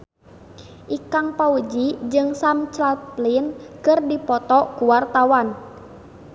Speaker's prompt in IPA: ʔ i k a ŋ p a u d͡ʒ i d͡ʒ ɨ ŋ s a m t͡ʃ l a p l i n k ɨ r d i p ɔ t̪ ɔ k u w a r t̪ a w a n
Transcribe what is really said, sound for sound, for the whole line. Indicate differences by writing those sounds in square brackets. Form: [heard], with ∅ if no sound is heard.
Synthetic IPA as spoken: ʔ i k a ŋ p a u d͡ʒ i d͡ʒ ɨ ŋ s a m t͡ʃ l a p l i n k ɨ r d i p ɔ t̪ ɔ k u w a r t̪ a w a n